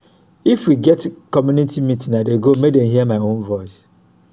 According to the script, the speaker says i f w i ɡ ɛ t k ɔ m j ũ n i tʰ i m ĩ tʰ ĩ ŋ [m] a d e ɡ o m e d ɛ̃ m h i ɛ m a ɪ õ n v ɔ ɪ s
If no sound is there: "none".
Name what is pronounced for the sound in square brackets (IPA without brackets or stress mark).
n